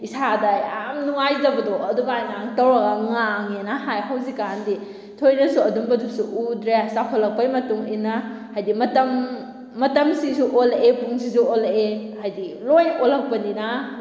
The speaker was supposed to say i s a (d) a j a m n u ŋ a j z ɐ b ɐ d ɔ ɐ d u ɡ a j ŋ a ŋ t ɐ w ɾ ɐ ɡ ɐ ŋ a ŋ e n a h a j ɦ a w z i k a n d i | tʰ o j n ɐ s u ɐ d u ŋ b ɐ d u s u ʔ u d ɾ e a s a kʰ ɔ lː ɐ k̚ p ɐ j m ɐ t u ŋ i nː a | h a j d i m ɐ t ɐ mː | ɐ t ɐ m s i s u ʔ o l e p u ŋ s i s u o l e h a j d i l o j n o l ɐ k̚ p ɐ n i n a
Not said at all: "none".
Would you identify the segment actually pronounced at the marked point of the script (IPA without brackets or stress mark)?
d